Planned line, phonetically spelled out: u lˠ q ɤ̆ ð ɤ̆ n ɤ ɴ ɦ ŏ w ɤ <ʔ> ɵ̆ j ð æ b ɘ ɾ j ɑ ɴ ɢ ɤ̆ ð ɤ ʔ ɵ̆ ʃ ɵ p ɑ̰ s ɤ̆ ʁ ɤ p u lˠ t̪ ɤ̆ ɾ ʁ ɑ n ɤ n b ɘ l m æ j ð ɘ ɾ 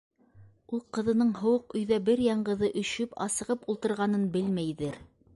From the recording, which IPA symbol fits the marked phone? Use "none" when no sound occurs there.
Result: q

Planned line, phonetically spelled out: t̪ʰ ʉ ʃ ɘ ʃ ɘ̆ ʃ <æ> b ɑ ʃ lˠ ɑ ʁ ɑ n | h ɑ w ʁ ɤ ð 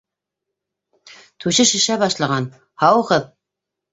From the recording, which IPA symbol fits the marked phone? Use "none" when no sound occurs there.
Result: æ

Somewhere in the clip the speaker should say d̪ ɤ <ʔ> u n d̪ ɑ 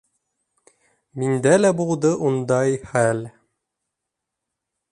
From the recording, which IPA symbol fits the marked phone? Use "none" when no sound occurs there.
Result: ʔ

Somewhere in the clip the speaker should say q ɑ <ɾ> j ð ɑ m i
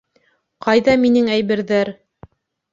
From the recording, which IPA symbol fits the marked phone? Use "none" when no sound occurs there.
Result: none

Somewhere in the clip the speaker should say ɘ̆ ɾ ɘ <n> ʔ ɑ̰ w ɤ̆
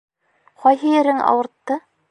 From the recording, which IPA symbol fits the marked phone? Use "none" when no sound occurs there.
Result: ŋ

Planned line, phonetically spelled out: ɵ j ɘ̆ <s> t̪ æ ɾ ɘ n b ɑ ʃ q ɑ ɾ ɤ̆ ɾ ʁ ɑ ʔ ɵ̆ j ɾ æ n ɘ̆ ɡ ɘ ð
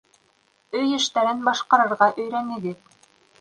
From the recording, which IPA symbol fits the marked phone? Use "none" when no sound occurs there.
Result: ʃ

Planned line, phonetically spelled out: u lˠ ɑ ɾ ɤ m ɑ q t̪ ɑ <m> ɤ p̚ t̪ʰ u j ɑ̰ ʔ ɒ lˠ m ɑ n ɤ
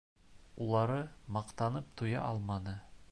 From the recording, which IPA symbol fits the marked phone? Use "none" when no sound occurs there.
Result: n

